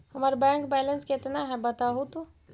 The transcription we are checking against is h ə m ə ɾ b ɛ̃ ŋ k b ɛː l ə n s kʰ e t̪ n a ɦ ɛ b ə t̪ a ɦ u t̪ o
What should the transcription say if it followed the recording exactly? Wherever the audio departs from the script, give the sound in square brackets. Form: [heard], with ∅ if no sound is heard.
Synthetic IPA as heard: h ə m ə ɾ b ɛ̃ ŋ k b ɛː l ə n s [k] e t̪ n a ɦ ɛ b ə t̪ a ɦ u t̪ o